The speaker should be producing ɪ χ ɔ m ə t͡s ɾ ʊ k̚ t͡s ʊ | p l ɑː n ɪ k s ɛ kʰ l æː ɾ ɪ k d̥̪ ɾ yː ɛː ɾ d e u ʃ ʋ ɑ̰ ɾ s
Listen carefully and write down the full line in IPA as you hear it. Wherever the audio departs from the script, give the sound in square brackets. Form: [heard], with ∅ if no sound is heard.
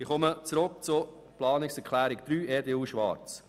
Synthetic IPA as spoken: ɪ χ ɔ m ə t͡s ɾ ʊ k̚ t͡s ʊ | p l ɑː n ɪ k s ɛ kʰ l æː ɾ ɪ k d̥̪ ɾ yː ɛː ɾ d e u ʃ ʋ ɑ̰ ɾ [t͡s]

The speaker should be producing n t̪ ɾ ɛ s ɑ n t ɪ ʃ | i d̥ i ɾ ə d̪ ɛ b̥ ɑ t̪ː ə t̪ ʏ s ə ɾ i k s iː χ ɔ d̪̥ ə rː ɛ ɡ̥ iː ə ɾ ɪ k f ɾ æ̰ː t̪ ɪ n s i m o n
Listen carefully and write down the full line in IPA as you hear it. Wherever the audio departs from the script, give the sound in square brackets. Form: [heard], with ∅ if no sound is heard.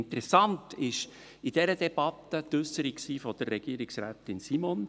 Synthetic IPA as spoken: n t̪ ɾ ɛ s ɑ n t ɪ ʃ | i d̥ [ɛ] ɾ ə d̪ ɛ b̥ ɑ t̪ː ə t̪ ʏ s ə ɾ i k s iː [f] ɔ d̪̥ ə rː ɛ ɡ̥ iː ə ɾ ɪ k [s] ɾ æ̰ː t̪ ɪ n s i m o n

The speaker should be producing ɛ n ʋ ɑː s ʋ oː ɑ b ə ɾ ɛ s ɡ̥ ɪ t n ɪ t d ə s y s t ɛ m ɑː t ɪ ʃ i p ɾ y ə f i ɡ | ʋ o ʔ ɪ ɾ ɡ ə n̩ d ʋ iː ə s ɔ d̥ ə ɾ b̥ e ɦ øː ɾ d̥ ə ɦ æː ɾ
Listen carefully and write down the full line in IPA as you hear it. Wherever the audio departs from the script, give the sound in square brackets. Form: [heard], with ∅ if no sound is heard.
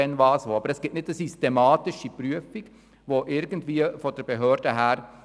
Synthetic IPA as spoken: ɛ n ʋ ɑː s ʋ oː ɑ b ə ɾ ɛ s ɡ̥ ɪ t n ɪ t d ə s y s t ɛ m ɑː t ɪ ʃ i p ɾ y ə f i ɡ | ʋ o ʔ ɪ ɾ ɡ ə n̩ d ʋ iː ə [f] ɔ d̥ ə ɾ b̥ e ɦ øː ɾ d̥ ə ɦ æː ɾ

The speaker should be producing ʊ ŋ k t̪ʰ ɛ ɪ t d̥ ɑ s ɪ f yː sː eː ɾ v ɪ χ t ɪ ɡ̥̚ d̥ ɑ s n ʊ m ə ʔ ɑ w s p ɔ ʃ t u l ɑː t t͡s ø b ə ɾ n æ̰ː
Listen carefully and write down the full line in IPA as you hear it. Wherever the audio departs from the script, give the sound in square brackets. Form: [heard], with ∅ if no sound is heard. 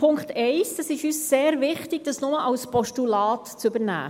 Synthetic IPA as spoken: ʊ ŋ k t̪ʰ ɛ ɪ [s] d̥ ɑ s ɪ [ʃ] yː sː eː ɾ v ɪ χ t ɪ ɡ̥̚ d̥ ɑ s n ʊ m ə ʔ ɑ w s p ɔ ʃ t u l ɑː t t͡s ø b ə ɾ n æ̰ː

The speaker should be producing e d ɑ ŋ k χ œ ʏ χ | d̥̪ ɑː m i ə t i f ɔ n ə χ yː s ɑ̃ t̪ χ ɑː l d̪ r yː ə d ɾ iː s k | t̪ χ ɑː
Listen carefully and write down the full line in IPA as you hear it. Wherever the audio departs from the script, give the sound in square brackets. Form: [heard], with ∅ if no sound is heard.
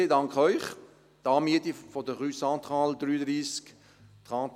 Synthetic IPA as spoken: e d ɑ ŋ k χ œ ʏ χ | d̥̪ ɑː m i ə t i f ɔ [d] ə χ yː s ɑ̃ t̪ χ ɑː l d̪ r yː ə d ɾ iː s k | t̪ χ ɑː

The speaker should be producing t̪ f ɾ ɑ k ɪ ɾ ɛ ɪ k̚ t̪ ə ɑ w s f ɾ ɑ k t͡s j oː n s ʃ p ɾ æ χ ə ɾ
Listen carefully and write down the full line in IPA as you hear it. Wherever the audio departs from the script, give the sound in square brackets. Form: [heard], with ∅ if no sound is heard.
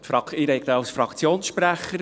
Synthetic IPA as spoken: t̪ f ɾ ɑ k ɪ ɾ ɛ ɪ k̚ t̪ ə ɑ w s f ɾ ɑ k t͡s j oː n s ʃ p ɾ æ χ ə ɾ

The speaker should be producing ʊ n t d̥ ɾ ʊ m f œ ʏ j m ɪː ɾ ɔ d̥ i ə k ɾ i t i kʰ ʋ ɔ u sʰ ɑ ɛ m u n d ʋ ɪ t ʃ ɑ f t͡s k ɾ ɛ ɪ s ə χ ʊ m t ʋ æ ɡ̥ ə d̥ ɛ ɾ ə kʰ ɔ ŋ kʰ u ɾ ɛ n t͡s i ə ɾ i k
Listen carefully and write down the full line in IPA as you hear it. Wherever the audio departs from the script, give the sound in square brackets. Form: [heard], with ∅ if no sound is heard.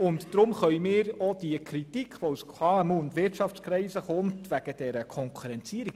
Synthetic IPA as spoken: ʊ n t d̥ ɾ ʊ m [χ] œ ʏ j m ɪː ɾ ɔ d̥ i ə k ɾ i t i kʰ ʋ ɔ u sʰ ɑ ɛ m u n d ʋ ɪ t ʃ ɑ f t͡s k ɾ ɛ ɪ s ə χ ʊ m t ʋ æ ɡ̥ ə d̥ ɛ ɾ ə kʰ ɔ ŋ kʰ u ɾ ɛ n t͡s i ə ɾ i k

